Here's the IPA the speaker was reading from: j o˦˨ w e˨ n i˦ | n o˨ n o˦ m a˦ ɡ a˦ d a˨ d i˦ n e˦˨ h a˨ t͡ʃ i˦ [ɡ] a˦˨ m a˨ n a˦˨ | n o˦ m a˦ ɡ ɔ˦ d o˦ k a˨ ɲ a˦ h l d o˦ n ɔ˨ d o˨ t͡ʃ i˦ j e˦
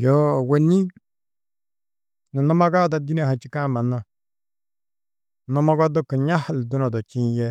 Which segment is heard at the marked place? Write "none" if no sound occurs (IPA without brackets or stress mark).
k